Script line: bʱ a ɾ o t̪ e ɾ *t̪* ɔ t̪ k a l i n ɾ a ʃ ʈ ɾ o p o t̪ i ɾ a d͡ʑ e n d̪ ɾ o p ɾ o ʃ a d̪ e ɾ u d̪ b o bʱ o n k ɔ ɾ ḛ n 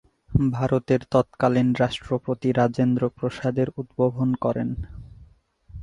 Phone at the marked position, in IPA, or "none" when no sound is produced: t̪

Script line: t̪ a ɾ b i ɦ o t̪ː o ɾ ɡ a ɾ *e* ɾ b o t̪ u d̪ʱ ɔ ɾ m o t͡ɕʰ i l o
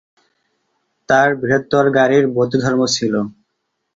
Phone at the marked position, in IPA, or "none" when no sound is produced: i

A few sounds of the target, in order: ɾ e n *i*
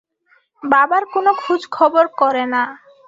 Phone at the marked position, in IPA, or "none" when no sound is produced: a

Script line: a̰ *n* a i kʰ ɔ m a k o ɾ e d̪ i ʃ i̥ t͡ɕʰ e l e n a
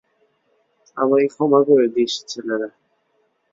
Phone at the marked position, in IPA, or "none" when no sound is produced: m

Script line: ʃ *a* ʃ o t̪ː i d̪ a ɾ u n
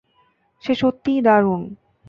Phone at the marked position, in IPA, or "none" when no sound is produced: e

